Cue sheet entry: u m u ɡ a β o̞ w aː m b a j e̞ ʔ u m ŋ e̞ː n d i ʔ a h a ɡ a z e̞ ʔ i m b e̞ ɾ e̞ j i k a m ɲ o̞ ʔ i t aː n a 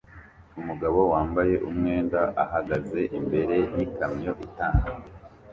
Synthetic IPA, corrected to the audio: u m u ɡ a β o̞ w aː m b a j e̞ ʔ u m ŋ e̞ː n d a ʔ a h a ɡ a z e̞ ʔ i m b e̞ ɾ e̞ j i k a m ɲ o̞ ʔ i t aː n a